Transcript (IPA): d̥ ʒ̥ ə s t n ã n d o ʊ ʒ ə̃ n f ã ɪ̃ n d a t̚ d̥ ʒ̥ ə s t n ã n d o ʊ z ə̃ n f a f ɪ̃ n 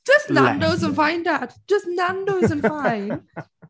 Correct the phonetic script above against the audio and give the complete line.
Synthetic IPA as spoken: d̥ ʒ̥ ʌ s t n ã n d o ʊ z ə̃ n f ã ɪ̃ n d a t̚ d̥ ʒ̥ ʌ s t n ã n d o ʊ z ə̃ n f a f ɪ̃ n